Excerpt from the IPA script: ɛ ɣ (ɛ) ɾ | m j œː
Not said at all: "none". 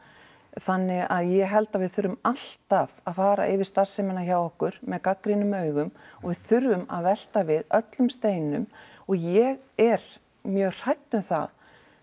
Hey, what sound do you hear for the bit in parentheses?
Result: ɛ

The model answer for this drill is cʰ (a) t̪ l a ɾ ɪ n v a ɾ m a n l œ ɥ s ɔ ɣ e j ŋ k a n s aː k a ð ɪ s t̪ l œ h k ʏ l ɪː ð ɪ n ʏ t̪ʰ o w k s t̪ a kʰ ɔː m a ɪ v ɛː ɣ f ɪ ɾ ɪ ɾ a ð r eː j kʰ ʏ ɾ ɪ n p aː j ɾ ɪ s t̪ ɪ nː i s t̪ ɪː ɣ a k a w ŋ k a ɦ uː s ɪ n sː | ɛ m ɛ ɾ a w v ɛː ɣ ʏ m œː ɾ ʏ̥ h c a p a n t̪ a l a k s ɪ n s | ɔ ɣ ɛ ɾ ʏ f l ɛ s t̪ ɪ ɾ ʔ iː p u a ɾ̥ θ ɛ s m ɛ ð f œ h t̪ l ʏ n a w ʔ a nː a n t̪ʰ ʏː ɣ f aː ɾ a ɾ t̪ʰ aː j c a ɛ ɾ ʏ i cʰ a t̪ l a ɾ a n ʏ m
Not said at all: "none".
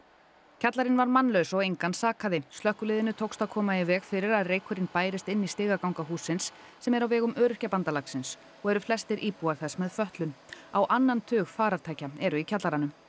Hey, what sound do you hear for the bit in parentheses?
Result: a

